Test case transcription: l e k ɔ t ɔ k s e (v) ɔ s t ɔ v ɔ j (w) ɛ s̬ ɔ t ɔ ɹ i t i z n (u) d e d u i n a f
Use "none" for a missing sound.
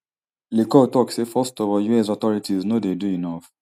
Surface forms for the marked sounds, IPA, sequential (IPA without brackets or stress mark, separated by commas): f, u, o